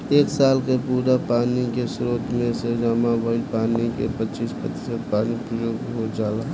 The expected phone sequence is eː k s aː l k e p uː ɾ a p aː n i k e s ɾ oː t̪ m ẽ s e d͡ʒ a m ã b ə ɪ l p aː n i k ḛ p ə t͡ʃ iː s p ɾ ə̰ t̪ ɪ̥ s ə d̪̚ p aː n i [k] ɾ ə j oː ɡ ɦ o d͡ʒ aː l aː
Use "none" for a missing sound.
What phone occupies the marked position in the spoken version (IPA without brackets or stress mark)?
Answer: p